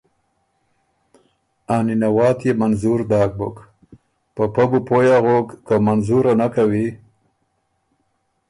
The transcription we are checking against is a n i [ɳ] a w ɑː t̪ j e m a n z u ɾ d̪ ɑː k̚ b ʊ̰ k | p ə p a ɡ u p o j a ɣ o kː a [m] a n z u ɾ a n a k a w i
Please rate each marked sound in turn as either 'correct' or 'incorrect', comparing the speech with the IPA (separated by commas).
incorrect, correct